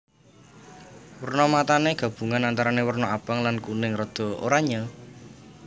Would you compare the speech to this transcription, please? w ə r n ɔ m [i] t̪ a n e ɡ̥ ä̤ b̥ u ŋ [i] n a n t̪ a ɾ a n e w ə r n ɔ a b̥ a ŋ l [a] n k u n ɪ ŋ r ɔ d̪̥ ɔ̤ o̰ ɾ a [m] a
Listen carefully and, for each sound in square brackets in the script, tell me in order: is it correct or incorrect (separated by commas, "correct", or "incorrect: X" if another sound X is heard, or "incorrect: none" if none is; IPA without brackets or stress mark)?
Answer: incorrect: a, incorrect: a, correct, incorrect: ɲ